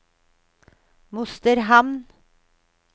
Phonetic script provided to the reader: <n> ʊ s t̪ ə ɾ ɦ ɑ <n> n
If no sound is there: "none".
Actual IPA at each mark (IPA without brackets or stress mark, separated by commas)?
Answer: m, m